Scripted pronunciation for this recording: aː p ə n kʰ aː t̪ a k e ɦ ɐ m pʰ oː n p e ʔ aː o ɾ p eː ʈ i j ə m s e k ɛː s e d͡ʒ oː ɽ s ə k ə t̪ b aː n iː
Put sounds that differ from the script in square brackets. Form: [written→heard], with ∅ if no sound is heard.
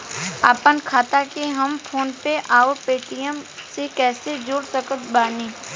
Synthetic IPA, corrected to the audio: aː p ə n kʰ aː t̪ a k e ɦ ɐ m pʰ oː n p e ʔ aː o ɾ p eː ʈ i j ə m s e k ɛː s e d͡ʒ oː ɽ s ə k ə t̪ b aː n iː